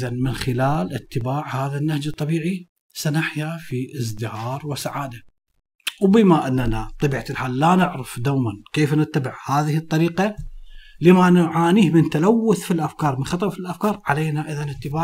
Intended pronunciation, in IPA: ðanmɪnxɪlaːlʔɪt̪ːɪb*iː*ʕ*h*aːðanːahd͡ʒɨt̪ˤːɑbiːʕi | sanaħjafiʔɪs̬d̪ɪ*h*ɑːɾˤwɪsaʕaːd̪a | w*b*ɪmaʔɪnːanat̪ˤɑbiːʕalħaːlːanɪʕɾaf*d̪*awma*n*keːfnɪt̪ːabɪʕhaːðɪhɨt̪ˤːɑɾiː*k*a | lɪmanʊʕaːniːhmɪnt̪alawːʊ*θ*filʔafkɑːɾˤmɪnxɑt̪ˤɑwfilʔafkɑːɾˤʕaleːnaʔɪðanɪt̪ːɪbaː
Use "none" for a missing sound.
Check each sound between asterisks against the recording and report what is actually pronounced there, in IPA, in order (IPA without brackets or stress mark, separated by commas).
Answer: aː, h, h, b, d̪, n, q, θ